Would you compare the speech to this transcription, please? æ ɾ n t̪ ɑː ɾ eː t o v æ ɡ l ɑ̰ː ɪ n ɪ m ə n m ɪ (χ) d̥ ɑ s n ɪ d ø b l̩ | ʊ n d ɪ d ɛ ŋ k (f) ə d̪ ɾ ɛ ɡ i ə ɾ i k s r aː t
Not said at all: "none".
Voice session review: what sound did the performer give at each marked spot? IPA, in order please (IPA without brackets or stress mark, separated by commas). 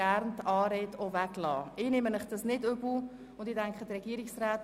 χ, χ